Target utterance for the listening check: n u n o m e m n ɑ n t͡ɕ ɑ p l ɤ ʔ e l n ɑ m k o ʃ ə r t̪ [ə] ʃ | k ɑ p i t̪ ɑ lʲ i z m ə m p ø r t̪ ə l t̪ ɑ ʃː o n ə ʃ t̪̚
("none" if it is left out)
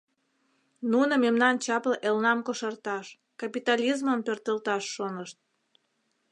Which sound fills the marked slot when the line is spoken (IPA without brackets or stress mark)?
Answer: ɑ